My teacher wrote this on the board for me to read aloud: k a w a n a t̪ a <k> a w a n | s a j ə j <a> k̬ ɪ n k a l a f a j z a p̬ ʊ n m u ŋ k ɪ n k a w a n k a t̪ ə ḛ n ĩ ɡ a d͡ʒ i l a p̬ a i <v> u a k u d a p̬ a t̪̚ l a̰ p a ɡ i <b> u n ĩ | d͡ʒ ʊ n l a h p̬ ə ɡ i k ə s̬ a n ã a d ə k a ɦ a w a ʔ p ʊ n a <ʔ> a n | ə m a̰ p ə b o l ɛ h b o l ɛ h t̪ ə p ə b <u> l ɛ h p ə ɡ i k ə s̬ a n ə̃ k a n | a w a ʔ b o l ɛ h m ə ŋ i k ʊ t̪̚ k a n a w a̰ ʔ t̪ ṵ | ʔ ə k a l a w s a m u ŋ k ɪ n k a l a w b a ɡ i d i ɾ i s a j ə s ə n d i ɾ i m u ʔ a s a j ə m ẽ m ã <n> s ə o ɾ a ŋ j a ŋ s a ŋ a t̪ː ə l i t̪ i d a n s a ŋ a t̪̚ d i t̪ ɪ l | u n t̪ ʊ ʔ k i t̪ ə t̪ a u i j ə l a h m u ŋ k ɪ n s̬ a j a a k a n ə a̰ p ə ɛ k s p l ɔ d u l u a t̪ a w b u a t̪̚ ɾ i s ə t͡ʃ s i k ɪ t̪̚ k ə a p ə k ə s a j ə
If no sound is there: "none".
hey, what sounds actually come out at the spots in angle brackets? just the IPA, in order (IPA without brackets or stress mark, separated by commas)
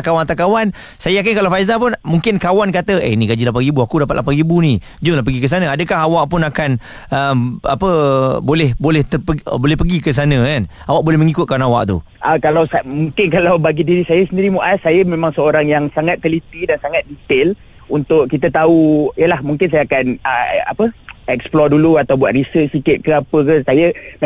k, a, b, b, k, o, ŋ